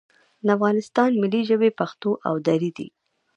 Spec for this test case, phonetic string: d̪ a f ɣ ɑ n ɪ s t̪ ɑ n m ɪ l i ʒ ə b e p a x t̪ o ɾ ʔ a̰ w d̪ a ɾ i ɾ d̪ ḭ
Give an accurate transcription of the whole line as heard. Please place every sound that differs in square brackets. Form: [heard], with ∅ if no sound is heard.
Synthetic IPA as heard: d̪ a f ɣ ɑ n ɪ s t̪ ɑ n m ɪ l i ʒ ə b e p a x t̪ o [∅] ʔ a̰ w d̪ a ɾ i [∅] d̪ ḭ